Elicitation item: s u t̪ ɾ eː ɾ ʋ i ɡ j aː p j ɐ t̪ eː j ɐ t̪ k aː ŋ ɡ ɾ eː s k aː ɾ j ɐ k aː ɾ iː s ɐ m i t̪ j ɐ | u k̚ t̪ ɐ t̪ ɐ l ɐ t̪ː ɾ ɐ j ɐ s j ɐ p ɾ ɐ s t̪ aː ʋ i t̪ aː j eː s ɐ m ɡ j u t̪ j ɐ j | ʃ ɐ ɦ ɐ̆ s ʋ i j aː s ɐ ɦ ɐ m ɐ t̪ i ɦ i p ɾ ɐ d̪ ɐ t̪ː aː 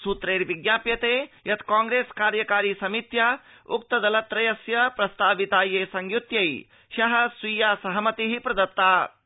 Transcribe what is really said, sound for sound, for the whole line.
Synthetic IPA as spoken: s u t̪ ɾ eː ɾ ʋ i ɡ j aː p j ɐ t̪ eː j ɐ t̪ k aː ŋ ɡ ɾ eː s k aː ɾ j ɐ k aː ɾ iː s ɐ m i t̪ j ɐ | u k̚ t̪ ɐ d̪ ɐ l ɐ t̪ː ɾ ɐ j ɐ s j ɐ p ɾ ɐ s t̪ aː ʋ i t̪ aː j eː s ɐ ŋ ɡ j u t̪ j ɐ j | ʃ ɐ ɦ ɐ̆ s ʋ i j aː s ɐ ɦ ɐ m ɐ t̪ i ɦ i p ɾ ɐ d̪ ɐ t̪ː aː